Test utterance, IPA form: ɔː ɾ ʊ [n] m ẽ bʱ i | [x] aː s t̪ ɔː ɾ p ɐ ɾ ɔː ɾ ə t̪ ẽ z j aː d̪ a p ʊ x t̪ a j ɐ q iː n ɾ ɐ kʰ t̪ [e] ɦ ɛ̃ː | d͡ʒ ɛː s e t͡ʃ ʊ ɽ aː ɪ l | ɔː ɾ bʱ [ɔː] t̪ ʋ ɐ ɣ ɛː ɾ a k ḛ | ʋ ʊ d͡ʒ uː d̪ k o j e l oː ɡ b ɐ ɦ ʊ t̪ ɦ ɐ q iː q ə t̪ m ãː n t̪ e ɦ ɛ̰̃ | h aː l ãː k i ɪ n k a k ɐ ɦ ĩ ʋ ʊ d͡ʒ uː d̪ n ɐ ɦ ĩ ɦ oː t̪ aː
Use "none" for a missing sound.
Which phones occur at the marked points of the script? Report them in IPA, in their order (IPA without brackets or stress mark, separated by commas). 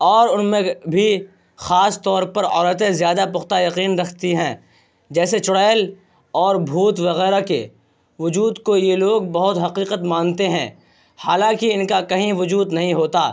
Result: n, x, i, uː